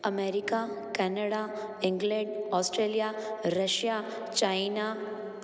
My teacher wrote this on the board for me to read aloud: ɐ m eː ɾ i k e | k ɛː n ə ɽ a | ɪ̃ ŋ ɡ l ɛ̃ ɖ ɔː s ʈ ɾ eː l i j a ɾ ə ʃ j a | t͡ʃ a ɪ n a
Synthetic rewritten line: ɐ m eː ɾ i k a | k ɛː n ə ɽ a | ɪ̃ ŋ ɡ l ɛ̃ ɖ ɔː s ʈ ɾ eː l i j a ɾ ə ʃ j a | t͡ʃ a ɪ n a